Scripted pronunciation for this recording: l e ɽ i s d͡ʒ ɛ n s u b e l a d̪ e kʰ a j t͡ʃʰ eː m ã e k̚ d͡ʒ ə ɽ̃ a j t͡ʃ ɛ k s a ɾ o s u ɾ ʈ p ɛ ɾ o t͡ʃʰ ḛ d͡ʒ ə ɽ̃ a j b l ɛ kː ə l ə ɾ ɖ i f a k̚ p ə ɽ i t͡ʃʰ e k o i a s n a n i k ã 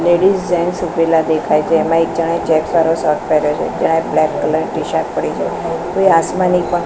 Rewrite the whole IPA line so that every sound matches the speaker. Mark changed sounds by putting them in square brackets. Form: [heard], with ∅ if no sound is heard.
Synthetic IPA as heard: l e ɽ i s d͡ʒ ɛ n s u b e l a d̪ e kʰ a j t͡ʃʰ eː m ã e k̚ d͡ʒ ə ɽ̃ a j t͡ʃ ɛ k s a ɾ o s [ɔ] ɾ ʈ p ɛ ɾ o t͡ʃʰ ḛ d͡ʒ ə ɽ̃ a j b l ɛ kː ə l ə ɾ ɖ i [ʃ] a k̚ p ə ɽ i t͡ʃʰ e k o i a s [m] a n i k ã

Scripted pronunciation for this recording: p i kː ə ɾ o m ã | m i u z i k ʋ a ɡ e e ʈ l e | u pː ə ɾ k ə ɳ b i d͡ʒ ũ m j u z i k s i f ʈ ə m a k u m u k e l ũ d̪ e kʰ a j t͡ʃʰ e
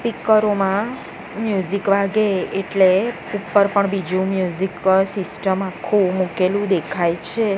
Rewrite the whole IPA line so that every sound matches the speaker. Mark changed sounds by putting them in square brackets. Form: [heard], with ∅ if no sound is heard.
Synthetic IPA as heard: p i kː ə ɾ o m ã | m [j] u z i k ʋ a ɡ e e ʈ l e | u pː ə ɾ [p] ə ɳ b i d͡ʒ ũ m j u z i k s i [s] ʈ ə m a [kʰ] u m u k e l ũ d̪ e kʰ a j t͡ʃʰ e

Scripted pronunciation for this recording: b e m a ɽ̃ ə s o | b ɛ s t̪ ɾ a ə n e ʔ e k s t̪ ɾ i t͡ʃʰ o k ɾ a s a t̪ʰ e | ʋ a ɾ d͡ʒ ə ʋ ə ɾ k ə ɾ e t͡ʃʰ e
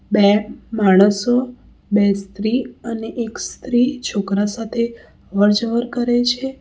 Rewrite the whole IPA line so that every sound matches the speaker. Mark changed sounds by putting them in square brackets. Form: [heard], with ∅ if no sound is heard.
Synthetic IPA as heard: b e m a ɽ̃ ə s o | b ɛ s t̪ ɾ [i] ə n e ʔ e k s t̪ ɾ i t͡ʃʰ o k ɾ a s a t̪ʰ e | ʋ [ə] ɾ d͡ʒ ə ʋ ə ɾ k ə ɾ e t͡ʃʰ e

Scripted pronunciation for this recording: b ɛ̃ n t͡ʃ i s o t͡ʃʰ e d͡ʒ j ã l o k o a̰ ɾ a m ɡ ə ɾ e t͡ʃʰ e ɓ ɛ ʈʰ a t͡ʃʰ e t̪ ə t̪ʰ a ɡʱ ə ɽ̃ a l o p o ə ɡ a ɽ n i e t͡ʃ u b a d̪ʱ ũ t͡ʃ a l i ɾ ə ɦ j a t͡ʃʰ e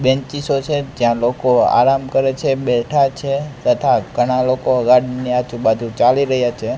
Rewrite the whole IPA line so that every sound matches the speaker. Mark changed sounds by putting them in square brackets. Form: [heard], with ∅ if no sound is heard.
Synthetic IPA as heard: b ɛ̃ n t͡ʃ i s o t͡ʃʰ e d͡ʒ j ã l o k o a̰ ɾ a m [k] ə ɾ e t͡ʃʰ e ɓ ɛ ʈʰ a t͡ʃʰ e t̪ ə t̪ʰ a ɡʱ ə ɽ̃ a l o [k] o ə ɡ a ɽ n i [a] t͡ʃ u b a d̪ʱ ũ t͡ʃ a l i ɾ ə ɦ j a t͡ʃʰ e

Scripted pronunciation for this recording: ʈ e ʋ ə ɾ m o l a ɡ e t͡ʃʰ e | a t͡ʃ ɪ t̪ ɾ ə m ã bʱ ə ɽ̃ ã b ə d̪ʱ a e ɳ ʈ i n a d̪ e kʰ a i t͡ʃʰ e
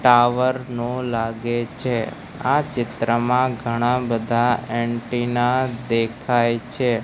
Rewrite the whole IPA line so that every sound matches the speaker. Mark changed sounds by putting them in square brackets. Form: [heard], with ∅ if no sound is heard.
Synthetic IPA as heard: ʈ [a] ʋ ə ɾ [n] o l a ɡ e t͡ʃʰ e | a t͡ʃ ɪ t̪ ɾ ə m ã [ɡʱ] ə ɽ̃ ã b ə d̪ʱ a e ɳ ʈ i n a d̪ e kʰ a [j] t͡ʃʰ e

